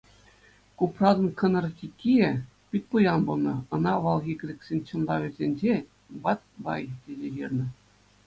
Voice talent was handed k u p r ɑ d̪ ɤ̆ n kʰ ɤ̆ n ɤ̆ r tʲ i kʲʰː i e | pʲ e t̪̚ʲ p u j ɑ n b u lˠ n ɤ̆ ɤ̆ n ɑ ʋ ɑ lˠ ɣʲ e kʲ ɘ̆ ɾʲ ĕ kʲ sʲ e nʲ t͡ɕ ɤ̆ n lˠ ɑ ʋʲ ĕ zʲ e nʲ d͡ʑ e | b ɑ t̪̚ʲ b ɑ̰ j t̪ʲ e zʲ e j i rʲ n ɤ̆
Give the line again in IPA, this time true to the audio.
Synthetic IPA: k u p r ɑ d̪ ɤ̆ n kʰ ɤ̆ n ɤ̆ r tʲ i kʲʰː i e | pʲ i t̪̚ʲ p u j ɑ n b u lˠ n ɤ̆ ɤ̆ n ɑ ʋ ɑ lˠ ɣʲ i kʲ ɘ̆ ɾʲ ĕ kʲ sʲ e nʲ t͡ɕ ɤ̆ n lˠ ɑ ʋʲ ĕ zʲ e nʲ d͡ʑ e | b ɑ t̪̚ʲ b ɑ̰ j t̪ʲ e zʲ e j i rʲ n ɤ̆